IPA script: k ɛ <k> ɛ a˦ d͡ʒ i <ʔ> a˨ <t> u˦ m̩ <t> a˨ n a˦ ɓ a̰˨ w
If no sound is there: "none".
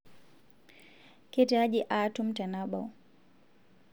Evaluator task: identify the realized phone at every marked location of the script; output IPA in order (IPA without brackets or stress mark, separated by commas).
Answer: t, ʔ, t, t